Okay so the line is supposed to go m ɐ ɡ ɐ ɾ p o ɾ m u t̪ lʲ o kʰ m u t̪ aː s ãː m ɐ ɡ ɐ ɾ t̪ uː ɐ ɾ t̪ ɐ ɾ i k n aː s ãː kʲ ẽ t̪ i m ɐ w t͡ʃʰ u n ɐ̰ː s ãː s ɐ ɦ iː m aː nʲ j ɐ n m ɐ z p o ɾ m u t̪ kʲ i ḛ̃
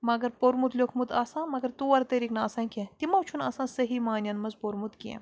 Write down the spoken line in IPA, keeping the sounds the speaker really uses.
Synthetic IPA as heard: m ɐ ɡ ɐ ɾ p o ɾ m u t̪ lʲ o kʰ m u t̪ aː s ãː m ɐ ɡ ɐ ɾ t̪ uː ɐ ɾ t̪ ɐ ɾ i k n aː s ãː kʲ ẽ t̪ i m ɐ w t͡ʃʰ u n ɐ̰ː s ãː s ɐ ɦ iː m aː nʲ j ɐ n m ɐ z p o ɾ m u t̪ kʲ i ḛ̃